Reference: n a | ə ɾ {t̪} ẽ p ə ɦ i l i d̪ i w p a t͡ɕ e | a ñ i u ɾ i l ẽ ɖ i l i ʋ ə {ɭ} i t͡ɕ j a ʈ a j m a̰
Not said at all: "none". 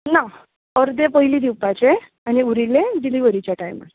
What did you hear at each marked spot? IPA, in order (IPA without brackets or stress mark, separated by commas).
d̪, ɾ